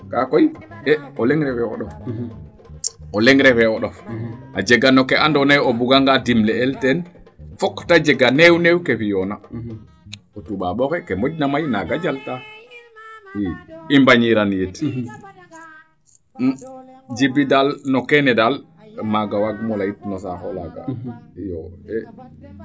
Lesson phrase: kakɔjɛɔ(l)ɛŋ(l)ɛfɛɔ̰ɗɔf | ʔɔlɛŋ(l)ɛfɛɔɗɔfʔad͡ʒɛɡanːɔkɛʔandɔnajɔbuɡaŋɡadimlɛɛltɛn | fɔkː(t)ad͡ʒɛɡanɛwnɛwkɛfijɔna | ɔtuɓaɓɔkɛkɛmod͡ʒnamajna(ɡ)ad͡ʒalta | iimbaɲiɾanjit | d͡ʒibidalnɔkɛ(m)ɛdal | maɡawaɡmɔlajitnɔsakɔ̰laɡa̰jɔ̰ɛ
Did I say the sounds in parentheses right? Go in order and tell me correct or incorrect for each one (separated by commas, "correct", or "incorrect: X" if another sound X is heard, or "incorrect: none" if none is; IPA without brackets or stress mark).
correct, incorrect: ɾ, incorrect: ɾ, correct, correct, incorrect: n